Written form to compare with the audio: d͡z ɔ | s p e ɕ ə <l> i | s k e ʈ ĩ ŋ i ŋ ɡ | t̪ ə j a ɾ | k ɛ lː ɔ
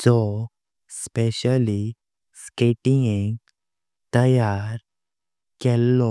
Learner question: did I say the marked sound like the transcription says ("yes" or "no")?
yes